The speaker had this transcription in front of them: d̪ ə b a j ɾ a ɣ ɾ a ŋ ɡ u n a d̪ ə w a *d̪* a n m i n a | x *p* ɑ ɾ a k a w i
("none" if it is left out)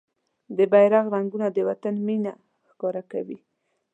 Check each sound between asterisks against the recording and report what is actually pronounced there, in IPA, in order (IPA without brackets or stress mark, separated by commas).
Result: t̪, k